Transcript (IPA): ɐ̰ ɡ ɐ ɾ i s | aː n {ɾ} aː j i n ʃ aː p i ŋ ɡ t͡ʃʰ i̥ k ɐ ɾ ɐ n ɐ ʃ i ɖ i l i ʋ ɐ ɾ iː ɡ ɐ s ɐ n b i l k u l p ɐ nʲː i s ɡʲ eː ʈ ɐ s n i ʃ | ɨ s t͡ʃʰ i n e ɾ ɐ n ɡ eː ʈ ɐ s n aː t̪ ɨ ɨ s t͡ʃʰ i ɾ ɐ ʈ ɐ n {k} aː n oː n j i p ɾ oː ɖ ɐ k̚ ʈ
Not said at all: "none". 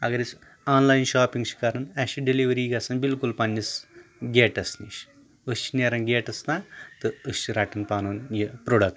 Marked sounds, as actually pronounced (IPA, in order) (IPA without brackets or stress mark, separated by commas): l, p